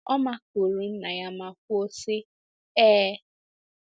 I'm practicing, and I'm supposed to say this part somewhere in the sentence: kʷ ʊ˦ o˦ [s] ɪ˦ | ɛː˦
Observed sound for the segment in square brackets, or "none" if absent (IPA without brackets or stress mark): s